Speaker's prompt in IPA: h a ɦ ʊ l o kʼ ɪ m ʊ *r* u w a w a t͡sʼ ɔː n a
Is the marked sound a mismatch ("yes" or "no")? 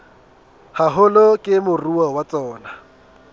no